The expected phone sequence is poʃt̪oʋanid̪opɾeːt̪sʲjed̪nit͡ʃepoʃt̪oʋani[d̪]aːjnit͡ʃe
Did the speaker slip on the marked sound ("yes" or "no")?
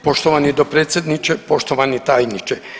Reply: yes